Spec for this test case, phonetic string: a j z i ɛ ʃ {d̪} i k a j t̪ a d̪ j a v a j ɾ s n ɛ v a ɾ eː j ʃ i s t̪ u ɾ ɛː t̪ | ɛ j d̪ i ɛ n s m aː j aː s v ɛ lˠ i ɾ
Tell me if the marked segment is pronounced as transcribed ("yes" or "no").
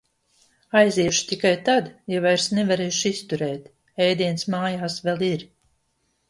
no